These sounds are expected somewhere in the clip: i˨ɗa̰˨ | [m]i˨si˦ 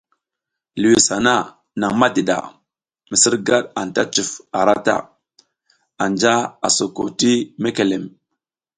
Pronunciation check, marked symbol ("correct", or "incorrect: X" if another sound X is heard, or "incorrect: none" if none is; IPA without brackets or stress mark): correct